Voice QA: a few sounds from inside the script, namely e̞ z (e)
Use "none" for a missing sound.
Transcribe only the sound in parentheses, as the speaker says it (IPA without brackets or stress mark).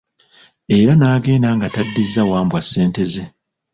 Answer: e